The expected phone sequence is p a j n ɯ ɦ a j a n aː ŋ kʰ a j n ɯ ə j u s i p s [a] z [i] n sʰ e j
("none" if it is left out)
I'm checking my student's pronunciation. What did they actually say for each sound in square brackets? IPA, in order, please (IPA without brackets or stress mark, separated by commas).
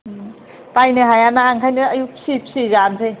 i, a